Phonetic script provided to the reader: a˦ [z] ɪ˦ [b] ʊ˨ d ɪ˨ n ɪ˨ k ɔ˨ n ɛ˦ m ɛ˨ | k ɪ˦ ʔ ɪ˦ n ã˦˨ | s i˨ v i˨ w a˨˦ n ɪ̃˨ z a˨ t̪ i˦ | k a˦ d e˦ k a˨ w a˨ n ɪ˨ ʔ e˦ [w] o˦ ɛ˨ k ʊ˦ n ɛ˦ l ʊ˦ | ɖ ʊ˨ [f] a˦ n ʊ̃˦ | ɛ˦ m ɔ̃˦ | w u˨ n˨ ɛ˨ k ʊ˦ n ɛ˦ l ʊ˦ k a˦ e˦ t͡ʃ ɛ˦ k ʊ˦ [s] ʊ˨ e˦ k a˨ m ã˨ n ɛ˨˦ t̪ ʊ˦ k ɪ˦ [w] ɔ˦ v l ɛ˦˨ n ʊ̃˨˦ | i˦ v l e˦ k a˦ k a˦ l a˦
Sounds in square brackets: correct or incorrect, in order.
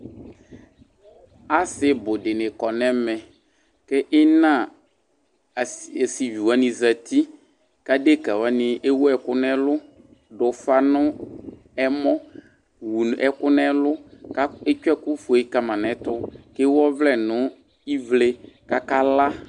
incorrect: s, correct, correct, correct, incorrect: f, correct

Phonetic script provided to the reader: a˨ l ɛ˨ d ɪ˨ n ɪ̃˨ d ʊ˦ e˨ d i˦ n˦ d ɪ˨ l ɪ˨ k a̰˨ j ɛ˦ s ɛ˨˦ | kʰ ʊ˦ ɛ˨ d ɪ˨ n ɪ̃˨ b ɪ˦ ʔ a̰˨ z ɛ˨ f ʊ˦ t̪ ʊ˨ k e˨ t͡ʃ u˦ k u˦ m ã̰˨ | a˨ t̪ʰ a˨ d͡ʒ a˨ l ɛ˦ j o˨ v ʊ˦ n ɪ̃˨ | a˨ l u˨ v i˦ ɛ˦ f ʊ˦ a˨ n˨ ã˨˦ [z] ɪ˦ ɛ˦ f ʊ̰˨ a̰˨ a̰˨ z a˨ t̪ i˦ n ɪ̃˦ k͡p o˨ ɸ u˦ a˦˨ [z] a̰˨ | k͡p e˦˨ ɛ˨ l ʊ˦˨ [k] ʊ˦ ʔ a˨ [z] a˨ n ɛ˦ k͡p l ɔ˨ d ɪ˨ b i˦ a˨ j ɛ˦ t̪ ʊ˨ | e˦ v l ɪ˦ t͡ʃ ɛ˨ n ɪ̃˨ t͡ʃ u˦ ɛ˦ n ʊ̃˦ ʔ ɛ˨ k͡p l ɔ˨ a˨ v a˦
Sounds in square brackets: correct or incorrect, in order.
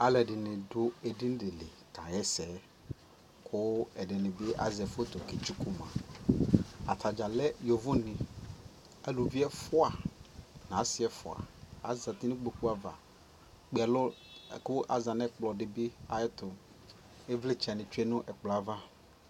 incorrect: s, incorrect: v, correct, correct

